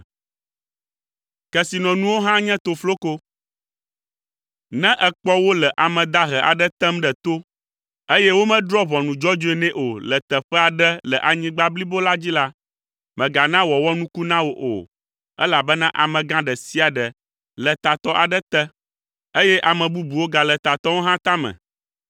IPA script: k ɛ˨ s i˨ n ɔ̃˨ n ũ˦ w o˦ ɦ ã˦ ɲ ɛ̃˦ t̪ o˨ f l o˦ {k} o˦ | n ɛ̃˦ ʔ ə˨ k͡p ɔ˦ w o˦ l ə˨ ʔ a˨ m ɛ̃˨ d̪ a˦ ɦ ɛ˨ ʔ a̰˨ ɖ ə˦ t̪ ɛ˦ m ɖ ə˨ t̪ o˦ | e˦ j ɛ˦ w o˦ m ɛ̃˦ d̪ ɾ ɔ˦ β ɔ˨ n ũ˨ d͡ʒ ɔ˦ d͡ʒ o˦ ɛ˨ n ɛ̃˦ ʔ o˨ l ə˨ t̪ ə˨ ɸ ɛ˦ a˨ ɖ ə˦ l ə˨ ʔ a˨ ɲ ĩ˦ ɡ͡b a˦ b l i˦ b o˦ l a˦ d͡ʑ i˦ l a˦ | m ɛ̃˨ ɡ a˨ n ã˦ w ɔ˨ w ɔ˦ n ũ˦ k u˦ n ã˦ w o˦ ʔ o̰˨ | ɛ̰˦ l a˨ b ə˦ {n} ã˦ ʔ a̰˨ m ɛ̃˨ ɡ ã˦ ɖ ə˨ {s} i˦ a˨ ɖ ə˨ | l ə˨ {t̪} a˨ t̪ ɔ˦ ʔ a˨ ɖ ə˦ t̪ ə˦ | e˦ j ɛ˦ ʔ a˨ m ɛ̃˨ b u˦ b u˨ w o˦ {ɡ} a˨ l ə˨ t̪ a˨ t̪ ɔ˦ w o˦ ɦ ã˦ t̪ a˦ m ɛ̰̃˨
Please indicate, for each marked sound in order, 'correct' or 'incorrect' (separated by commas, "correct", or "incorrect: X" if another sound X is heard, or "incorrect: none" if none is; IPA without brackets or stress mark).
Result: correct, correct, correct, correct, correct